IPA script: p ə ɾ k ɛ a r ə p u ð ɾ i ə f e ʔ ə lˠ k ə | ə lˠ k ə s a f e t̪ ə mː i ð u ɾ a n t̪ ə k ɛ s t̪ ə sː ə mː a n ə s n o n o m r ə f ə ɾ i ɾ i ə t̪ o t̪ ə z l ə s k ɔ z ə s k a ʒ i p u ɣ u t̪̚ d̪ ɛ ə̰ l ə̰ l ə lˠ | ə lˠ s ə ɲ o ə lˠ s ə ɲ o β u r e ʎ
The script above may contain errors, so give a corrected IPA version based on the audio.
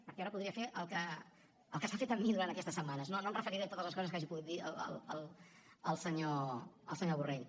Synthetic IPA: p ə ɾ k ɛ a ɾ ə p u ð ɾ i ə f e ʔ ə lˠ k ə | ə lˠ k ə s a f e t̪ ə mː i ð u ɾ a n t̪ ə k ɛ s t̪ ə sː ə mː a n ə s n o n o m r ə f ə ɾ i ɾ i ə t̪ o t̪ ə z l ə s k ɔ z ə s k a ʒ i p u ɣ u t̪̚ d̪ i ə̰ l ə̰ l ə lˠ | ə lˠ s ə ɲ o ə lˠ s ə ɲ o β u r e ʎ